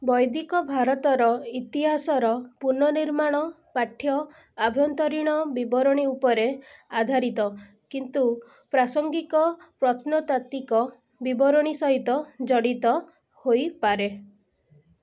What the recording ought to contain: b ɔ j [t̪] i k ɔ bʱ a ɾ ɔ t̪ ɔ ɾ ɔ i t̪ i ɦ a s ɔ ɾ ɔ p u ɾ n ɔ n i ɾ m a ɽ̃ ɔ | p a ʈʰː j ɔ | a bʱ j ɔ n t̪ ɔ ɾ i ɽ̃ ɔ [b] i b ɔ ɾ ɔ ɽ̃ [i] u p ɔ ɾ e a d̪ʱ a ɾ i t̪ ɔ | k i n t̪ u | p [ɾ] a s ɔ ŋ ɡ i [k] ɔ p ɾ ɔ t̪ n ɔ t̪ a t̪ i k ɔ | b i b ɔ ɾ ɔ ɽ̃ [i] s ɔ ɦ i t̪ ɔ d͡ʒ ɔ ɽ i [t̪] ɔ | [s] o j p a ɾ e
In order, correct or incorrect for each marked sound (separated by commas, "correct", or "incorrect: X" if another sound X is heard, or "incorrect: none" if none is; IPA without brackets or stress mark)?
incorrect: d̪, correct, correct, correct, correct, correct, correct, incorrect: h